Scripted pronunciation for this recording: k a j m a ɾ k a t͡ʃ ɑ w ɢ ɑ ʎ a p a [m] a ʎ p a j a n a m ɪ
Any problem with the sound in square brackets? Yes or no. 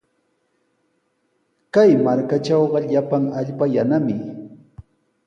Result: yes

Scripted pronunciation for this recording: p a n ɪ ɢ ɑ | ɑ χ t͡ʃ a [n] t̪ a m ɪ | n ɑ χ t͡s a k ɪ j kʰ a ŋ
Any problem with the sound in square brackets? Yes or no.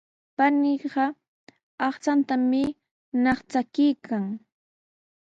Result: no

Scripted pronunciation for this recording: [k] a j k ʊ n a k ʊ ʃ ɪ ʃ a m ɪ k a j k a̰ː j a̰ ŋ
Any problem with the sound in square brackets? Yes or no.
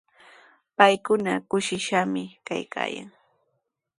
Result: yes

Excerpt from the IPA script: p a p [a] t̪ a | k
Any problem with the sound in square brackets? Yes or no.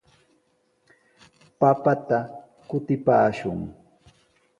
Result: no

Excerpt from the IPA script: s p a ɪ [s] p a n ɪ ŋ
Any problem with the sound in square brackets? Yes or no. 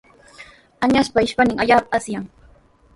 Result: yes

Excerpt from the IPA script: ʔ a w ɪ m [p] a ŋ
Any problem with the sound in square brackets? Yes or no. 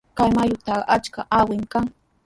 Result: yes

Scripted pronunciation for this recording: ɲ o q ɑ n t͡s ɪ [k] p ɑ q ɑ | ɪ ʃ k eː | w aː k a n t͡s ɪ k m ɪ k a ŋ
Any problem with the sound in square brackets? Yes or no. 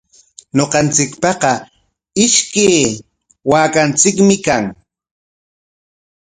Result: no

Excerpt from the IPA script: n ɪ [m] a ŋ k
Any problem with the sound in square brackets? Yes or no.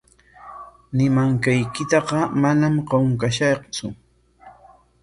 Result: no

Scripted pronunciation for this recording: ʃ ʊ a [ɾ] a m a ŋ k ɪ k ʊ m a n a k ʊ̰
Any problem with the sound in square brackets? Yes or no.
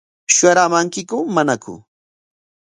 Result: no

